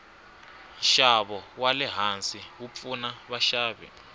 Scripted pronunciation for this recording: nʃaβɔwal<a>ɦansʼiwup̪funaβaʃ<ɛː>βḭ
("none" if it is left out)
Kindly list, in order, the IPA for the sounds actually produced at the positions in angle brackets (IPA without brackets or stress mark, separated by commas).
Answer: ɛ, aː